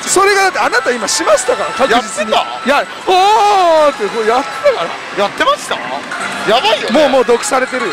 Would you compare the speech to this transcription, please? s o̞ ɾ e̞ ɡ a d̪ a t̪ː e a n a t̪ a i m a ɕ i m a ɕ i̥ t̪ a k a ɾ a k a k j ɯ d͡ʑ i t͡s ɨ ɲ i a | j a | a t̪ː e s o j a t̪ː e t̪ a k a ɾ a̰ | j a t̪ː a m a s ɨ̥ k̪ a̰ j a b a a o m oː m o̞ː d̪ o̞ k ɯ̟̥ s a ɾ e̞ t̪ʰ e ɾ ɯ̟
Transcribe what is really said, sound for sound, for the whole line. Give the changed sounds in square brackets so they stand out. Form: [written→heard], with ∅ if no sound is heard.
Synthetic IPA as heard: s o̞ ɾ e̞ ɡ a d̪ a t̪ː e a n a t̪ a i m a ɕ i m a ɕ i̥ t̪ a k a ɾ a k a k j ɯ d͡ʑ i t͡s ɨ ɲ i a | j a | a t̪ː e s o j a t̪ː e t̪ a k a ɾ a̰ | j a t̪ː [a→e] m a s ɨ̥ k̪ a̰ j a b a [a→i] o m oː m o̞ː d̪ o̞ k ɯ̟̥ s a ɾ e̞ [t̪ʰ→t̪] e ɾ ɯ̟